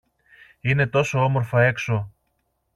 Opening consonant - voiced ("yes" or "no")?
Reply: yes